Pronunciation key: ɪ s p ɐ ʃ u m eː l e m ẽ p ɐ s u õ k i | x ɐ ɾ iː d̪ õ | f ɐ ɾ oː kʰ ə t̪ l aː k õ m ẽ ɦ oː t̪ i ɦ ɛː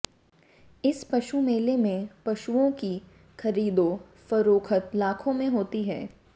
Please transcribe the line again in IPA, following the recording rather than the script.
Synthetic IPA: ɪ s p ɐ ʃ u m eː l e m ẽ p ɐ ʃ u õ k i | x ɐ ɾ iː d̪ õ | f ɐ ɾ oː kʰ ə t̪ l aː kʰ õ m ẽ ɦ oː t̪ i ɦ ɛː